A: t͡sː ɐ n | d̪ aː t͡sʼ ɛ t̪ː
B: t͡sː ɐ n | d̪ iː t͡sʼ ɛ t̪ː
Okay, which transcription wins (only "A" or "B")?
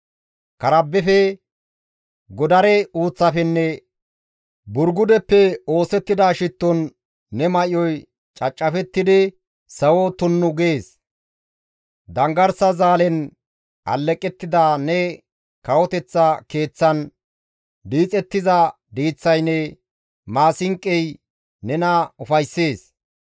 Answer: B